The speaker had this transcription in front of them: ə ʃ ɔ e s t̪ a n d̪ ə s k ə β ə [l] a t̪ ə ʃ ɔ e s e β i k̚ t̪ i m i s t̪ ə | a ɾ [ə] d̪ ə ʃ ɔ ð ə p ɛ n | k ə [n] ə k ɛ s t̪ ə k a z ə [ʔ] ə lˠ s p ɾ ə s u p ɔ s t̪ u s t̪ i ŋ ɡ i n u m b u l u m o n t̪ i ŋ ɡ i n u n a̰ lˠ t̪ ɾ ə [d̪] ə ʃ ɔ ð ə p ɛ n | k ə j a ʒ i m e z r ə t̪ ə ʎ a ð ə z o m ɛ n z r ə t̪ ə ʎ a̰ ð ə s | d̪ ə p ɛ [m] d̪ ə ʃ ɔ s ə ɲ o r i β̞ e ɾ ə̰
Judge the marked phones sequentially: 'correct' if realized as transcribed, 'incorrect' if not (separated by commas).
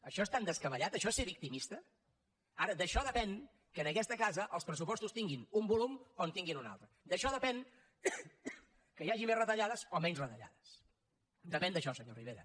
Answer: incorrect, correct, correct, correct, correct, incorrect